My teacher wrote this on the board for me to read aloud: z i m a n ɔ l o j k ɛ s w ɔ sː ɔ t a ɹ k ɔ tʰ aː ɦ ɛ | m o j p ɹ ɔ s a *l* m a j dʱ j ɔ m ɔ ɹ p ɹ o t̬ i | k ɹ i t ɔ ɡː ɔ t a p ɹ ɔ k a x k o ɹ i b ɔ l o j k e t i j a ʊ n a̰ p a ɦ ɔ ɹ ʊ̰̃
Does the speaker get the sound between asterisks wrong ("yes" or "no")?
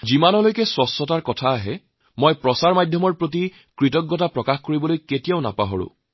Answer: yes